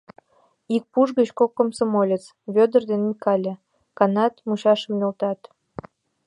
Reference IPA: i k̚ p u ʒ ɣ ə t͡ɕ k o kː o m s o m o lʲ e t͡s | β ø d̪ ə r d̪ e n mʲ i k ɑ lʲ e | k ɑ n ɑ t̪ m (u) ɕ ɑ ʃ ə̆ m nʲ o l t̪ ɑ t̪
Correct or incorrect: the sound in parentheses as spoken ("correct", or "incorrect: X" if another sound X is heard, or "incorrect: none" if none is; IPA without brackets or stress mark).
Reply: correct